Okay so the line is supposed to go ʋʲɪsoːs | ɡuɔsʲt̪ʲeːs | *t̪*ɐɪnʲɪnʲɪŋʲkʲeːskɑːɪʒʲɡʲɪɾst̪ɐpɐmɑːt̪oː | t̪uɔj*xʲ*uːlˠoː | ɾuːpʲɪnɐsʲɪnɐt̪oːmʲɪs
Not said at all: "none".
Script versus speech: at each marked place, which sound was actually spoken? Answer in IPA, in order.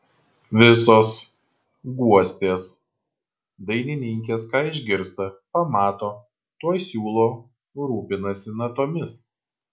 d̪, sʲ

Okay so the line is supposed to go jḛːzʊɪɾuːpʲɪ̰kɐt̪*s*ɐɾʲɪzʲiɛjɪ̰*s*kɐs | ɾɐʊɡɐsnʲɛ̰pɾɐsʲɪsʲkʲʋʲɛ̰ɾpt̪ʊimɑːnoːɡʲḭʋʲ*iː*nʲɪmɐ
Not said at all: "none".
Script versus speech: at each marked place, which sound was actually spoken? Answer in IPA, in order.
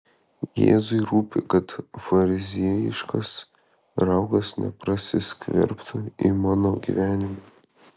f, ʃ, æː

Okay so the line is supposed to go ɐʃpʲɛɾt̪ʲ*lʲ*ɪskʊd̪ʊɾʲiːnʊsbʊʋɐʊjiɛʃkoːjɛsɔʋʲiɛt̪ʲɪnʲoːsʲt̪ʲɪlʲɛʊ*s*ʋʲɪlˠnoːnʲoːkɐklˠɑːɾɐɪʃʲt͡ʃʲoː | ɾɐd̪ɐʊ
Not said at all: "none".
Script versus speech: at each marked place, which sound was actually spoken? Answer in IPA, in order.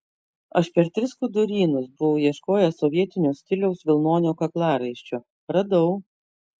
ɾʲ, s

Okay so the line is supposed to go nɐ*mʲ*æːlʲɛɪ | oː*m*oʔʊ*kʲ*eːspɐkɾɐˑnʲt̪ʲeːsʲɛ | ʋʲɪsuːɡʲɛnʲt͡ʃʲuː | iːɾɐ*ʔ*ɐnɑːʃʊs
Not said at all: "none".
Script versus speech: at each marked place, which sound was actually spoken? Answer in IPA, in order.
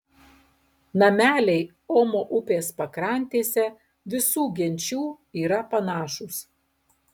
mʲ, m, pʲ, p

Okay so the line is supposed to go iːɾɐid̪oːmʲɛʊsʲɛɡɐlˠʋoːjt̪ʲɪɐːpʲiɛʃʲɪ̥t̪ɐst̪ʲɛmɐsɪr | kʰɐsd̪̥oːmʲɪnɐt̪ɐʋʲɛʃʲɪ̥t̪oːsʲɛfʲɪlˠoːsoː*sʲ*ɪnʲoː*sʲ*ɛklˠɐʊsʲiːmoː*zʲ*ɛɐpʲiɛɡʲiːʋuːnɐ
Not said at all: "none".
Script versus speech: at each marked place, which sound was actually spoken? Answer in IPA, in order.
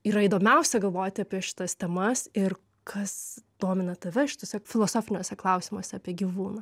fʲ, sʲ, sʲ

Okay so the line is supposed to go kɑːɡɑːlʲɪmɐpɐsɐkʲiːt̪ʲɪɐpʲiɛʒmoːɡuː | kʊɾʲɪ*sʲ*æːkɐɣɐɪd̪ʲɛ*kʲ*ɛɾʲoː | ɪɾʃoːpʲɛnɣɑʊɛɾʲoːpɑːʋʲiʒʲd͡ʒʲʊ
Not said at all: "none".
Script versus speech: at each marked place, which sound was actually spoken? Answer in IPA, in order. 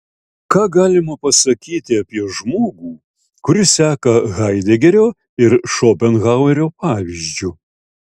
sʲ, ɡʲ

